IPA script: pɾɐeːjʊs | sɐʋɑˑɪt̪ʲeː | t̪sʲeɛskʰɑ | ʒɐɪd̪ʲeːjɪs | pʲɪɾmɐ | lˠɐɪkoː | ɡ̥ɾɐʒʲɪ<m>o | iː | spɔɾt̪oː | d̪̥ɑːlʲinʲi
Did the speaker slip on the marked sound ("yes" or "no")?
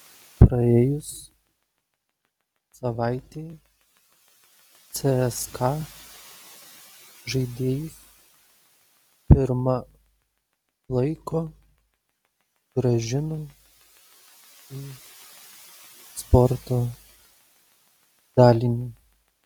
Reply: yes